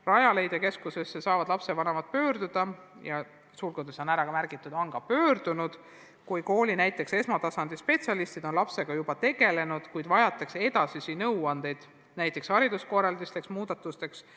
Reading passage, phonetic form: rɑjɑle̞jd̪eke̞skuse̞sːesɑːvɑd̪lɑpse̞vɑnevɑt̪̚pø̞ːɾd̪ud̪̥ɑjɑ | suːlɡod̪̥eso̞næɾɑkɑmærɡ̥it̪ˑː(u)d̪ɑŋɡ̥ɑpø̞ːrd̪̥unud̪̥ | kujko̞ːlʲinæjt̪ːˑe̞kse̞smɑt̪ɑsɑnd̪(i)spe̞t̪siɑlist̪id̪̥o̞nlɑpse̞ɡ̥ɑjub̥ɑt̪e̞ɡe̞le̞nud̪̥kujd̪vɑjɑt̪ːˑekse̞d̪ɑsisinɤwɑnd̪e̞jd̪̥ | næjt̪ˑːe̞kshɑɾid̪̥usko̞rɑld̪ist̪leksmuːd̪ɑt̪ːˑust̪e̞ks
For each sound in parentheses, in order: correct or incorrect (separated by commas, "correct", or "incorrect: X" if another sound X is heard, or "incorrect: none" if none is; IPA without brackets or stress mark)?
correct, correct